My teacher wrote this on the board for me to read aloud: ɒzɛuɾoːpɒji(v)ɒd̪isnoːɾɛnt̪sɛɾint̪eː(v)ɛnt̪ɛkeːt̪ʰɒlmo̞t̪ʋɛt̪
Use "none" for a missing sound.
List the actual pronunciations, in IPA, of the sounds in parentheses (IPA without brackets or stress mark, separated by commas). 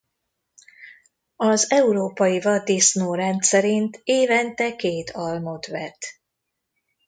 v, v